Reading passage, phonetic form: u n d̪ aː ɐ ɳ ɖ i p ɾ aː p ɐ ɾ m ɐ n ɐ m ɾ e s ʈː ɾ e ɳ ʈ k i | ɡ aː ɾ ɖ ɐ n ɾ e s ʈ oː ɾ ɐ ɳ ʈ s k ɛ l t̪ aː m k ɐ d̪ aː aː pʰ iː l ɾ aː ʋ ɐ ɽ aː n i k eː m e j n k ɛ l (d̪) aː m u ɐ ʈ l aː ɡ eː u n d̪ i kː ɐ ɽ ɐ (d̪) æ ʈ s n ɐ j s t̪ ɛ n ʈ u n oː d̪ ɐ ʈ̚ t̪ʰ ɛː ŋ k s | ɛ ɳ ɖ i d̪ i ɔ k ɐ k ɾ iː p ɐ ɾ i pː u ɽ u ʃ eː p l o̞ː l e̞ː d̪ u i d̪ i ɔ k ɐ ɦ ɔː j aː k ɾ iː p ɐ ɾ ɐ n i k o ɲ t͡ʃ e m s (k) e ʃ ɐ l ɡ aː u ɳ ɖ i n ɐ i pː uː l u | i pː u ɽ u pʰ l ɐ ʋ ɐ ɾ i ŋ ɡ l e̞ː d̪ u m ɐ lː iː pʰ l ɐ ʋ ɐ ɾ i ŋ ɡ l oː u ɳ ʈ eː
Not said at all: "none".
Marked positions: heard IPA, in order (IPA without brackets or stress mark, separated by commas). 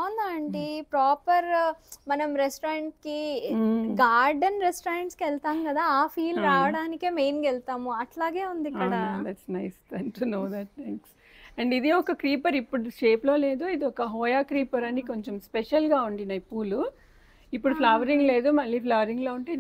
t̪, d̪, p